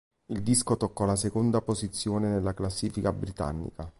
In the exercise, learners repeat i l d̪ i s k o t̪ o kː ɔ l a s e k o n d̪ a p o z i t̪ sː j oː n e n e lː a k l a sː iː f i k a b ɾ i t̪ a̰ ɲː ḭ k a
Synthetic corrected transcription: i l d̪ i s k o t̪ o kː ɔ l a s e k o n d̪ a p o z i t̪ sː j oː n e n e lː a k l a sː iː f i k a b ɾ i t̪ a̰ nː ḭ k a